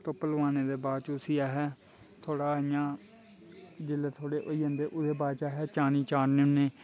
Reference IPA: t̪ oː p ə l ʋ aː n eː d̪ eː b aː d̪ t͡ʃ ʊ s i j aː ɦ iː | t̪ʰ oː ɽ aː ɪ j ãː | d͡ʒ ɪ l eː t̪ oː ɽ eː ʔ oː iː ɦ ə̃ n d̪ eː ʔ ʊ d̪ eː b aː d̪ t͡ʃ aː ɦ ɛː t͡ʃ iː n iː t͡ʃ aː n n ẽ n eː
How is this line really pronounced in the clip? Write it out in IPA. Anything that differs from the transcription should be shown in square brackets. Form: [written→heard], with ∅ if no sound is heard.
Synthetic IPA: t̪ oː p ə l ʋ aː n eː d̪ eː b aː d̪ t͡ʃ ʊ s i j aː ɦ [iː→ɛː] | t̪ʰ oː ɽ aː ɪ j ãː | d͡ʒ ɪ l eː [t̪→t̪ʰ] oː ɽ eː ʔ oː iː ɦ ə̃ n d̪ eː ʔ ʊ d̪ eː b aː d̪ t͡ʃ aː ɦ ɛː t͡ʃ [iː→aː] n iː t͡ʃ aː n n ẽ n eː